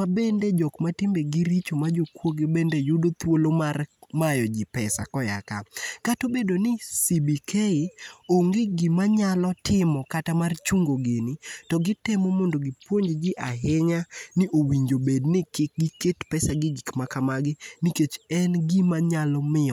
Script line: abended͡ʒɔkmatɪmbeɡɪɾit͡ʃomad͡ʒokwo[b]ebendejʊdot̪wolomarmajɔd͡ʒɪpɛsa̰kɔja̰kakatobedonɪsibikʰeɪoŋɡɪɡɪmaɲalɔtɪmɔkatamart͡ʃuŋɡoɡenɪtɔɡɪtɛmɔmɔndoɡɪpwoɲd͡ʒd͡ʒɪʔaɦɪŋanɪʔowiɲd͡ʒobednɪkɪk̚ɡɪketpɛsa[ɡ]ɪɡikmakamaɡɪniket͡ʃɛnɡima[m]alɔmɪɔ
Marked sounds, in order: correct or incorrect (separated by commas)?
incorrect, correct, incorrect